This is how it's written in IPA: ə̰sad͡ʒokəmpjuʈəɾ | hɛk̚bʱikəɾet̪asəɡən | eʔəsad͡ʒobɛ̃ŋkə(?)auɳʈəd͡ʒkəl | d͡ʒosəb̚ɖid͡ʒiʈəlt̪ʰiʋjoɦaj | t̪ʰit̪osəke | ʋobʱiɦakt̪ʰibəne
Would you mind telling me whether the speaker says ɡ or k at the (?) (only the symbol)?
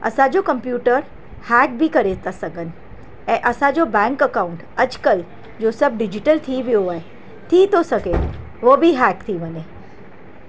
k